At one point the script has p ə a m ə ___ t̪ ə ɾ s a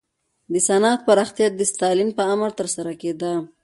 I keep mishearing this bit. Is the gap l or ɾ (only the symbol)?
ɾ